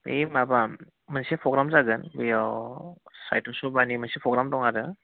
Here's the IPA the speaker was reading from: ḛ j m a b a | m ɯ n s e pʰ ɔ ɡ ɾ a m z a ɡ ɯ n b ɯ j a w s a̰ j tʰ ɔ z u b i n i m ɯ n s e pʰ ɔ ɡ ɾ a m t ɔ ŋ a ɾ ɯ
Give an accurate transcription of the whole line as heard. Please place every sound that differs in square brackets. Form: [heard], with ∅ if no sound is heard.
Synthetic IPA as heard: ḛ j m a b a | m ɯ n s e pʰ ɔ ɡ ɾ a m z a ɡ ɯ n b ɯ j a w s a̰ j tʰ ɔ [s] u b [a] n i m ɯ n s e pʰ ɔ ɡ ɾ a m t ɔ ŋ a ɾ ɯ